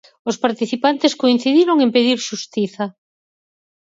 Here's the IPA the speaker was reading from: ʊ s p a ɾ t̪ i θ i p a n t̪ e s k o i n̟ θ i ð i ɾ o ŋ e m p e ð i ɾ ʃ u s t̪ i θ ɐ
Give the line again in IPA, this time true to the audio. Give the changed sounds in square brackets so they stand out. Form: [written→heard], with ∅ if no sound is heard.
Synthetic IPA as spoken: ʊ s p a ɾ t̪ i θ i p a n t̪ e s k o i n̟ θ i ð i ɾ o ŋ e m p e ð i ɾ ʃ u s t̪ i θ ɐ